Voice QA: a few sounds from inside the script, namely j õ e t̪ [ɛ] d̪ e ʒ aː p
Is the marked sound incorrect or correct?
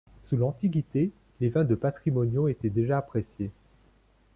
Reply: correct